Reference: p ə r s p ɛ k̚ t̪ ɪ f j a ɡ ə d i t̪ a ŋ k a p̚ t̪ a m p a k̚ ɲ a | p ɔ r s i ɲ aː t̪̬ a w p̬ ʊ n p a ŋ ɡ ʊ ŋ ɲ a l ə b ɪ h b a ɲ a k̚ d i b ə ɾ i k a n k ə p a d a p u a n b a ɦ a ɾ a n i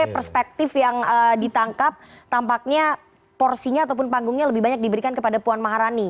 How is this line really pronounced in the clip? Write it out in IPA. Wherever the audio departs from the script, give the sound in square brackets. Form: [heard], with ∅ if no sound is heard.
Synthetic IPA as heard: p ə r s p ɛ k̚ t̪ ɪ f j a [ŋ] ə d i t̪ a ŋ k a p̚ t̪ a m p a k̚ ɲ a | p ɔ r s i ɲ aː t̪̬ a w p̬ ʊ n p a ŋ ɡ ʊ ŋ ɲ a l ə b ɪ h b a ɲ a k̚ d i b ə ɾ i k a n k ə p a d a p u a n [m] a ɦ a ɾ a n i

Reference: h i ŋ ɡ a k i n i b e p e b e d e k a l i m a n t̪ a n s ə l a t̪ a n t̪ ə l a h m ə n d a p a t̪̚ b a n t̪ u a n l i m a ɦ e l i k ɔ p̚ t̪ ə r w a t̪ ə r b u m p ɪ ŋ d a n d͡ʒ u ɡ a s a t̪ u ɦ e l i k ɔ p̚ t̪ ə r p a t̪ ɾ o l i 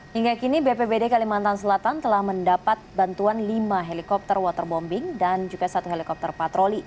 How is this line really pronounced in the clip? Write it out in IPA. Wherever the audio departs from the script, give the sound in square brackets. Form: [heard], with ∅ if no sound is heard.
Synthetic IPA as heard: h i ŋ ɡ a k i n i b e p e b e d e k a l i m a n t̪ a n s ə l a t̪ a n t̪ ə l a h m ə n d a p a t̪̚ b a n t̪ u a n l i m a ɦ e l i k ɔ p̚ t̪ ə r w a t̪ ə r b [ɔ] m [b] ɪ ŋ d a n d͡ʒ u ɡ a s a t̪ u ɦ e l i k ɔ p̚ t̪ ə r p a t̪ ɾ o l i

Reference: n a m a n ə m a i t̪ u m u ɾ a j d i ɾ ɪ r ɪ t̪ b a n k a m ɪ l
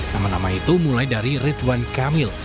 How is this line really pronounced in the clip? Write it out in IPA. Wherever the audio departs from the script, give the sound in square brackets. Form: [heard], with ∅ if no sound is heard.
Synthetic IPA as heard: n a m a n [a] m a i t̪ u m u [l] a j d [a] ɾ [i] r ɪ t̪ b a n k a m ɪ l

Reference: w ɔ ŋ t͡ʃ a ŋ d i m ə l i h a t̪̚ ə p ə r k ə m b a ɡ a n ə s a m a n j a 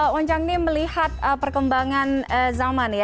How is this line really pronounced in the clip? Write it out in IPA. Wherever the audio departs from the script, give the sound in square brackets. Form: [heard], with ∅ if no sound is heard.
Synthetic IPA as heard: w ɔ [ɲ] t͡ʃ a ŋ [n] i m ə l i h a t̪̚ ə p ə r k ə m b a [ŋ] a n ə [z] a m a n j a

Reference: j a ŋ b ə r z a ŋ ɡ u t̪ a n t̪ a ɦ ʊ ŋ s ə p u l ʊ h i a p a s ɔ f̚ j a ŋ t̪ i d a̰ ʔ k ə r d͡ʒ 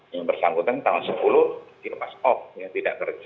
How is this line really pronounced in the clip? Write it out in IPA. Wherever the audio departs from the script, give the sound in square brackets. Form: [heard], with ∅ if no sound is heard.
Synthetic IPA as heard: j a ŋ b ə r [s] a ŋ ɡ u t̪ a n t̪ a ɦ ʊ [n] s ə p u l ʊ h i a p a s ɔ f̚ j a ŋ t̪ i d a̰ ʔ k ə r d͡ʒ

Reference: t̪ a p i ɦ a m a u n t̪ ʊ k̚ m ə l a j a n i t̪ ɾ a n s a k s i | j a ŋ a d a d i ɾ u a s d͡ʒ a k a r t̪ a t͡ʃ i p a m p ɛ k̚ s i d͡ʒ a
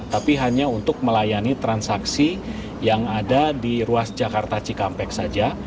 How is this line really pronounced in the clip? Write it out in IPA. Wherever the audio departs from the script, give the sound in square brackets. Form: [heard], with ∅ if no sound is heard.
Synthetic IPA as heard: t̪ a p i ɦ a [ɲ] a u n t̪ ʊ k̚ m ə l a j a n i t̪ ɾ a n s a k s i | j a ŋ a d a d i ɾ u a s d͡ʒ a k a r t̪ a t͡ʃ i [k] a m p ɛ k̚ s [a] d͡ʒ a

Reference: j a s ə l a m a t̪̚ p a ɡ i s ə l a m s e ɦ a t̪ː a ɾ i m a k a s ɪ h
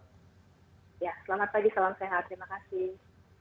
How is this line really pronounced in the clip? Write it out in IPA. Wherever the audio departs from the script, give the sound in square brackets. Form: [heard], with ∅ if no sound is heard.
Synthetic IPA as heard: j a s ə l a m a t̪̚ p a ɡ i s [a] l a m s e ɦ a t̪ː [ə] ɾ i m a k a s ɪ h

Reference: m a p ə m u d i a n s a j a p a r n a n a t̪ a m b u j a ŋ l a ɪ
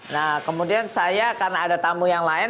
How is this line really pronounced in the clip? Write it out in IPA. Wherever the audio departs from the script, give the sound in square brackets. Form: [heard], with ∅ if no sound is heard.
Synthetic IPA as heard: [n] a [k] ə m u d i a n s a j a [k] a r n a [d] a t̪ a m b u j a ŋ l a ɪ

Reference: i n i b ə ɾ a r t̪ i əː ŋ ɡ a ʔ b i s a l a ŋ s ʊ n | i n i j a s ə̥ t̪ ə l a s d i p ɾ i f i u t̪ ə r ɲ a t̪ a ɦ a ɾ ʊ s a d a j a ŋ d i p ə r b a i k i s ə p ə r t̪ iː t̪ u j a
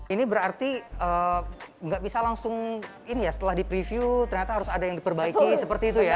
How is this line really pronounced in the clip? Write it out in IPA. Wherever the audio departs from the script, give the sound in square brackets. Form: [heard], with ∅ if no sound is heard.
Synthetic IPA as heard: i n i b ə ɾ a r t̪ i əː ŋ ɡ a ʔ b i s a l a ŋ s ʊ [ŋ] | i n i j a s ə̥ t̪ ə l a [h] d i p ɾ i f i u t̪ ə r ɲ a t̪ a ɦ a ɾ ʊ s a d a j a ŋ d i p ə r b a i k i s ə p ə r t̪ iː t̪ u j a

